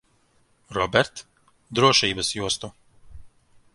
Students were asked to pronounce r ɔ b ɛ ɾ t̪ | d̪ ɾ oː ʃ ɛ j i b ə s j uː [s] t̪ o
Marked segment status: correct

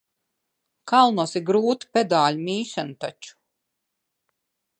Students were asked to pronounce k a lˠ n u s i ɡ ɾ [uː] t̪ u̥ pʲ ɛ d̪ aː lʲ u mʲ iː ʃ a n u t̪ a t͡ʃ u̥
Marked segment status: correct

